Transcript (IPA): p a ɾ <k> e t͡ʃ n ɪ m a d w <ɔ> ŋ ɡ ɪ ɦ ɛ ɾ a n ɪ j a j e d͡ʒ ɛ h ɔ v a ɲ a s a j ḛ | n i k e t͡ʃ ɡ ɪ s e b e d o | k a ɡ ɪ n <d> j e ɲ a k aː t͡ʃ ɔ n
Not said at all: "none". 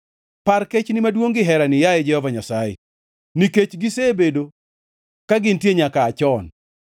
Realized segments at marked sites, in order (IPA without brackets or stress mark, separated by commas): k, o, t